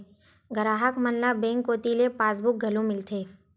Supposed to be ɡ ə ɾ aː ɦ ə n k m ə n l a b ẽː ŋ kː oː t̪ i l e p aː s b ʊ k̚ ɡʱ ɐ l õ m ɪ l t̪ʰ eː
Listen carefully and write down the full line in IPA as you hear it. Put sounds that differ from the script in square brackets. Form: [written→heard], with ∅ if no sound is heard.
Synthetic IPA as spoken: ɡ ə ɾ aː ɦ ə [n→∅] k m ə n l a b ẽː ŋ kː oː t̪ i l e p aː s b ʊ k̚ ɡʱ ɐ l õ m ɪ l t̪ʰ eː